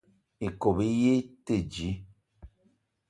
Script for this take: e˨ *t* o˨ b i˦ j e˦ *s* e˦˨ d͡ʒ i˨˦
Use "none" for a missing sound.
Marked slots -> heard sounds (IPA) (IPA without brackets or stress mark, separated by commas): k, t